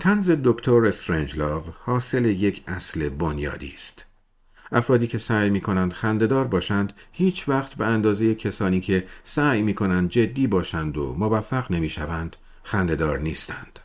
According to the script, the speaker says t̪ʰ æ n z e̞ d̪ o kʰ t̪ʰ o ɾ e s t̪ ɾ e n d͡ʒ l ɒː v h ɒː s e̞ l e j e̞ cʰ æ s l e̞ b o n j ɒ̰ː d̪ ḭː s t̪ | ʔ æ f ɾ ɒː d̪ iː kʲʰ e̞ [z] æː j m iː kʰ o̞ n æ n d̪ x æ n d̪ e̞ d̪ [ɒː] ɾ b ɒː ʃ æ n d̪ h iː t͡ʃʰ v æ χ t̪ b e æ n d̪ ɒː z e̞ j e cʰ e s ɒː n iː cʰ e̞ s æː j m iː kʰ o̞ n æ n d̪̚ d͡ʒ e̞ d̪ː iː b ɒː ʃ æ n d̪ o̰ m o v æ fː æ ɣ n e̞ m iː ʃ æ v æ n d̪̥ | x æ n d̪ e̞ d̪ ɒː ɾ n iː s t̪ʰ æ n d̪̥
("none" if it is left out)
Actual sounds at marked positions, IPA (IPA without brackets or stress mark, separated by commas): s, ɒː